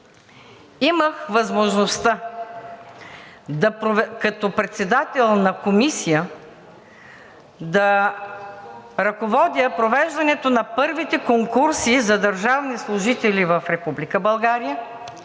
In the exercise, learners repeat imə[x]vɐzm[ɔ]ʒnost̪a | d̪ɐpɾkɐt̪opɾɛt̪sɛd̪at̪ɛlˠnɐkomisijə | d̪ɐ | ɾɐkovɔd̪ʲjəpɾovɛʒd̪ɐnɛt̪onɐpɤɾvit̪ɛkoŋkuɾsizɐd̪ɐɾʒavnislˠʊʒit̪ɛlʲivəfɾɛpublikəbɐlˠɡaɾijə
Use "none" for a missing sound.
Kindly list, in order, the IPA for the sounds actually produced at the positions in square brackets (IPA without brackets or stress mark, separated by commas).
x, o